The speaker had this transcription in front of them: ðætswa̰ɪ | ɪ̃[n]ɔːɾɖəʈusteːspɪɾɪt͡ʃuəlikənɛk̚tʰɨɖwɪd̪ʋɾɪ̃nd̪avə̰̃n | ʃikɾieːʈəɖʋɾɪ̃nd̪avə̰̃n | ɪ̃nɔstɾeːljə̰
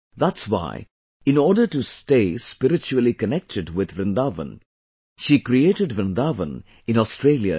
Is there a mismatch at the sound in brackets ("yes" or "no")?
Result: no